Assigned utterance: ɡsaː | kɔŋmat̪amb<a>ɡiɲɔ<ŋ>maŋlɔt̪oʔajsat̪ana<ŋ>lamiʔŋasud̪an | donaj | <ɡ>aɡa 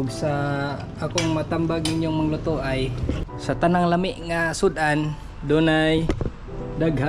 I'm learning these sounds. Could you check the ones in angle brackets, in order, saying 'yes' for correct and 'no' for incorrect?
yes, yes, yes, no

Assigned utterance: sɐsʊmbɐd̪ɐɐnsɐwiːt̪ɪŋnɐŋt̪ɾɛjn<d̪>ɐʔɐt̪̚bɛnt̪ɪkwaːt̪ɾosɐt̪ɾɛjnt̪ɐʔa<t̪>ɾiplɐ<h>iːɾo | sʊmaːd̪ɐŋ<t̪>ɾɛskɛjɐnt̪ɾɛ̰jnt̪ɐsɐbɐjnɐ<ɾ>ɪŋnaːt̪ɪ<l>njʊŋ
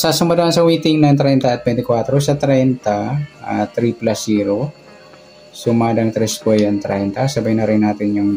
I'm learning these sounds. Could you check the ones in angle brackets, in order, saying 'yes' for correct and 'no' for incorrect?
no, yes, no, yes, yes, no

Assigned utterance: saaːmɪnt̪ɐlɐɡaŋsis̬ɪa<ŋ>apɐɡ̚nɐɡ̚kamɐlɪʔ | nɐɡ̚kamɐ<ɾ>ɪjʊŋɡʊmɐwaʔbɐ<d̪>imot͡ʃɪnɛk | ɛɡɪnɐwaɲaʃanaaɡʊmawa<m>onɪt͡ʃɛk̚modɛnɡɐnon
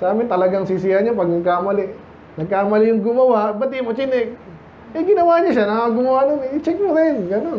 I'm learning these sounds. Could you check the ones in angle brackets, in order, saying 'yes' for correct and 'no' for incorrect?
no, no, no, no

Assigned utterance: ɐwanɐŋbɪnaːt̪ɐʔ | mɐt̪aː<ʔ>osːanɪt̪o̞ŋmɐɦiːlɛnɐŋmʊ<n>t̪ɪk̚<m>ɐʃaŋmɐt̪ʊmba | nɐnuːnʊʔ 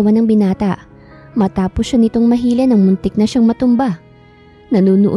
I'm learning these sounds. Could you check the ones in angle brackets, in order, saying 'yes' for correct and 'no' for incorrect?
no, yes, no

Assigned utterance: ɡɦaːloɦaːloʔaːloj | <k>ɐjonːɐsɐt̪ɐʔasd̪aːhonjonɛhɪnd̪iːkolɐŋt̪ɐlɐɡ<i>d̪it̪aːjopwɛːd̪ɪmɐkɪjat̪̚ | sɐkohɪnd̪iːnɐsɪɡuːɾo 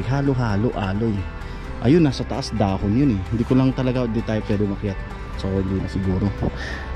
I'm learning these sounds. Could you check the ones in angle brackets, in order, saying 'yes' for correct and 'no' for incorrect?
no, no

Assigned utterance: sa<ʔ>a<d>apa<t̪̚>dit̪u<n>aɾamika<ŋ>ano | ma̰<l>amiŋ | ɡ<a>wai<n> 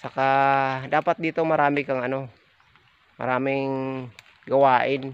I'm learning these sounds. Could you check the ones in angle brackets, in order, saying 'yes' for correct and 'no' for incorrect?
no, yes, yes, no, yes, no, yes, yes

